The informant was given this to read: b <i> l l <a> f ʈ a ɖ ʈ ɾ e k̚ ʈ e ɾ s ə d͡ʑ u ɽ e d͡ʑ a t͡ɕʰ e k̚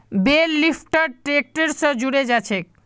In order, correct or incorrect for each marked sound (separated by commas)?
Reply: incorrect, incorrect